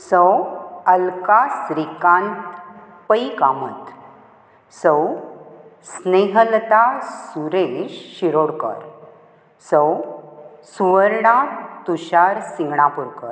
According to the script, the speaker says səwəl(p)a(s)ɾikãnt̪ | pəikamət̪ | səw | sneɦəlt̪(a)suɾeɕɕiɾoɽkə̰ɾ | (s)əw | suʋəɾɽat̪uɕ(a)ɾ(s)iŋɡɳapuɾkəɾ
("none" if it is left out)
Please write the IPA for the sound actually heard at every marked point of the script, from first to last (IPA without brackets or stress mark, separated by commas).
k, s, a, s, a, s